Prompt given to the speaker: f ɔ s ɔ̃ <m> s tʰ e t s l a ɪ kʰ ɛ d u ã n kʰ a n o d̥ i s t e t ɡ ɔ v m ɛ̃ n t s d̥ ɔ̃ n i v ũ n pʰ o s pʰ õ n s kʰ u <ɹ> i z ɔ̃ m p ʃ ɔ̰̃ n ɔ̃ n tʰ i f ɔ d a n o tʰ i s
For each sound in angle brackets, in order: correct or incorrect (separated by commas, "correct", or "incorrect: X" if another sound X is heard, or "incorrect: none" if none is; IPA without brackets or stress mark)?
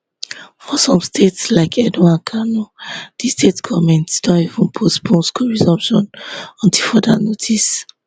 correct, correct